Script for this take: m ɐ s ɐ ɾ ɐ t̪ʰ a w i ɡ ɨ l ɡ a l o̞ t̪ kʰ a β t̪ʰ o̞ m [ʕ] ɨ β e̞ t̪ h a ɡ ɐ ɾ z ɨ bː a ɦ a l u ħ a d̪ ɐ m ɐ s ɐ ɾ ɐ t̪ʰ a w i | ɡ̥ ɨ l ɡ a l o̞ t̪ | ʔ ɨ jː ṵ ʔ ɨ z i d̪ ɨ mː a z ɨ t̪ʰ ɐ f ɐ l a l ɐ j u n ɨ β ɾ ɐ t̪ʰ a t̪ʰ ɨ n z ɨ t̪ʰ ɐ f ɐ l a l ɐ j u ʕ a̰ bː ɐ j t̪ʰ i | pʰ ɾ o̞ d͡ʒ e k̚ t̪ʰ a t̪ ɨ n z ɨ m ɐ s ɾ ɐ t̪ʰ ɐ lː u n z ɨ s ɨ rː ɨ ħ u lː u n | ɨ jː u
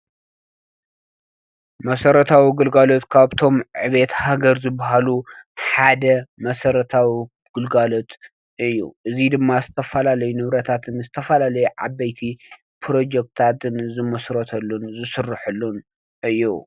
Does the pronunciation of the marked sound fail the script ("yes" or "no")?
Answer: no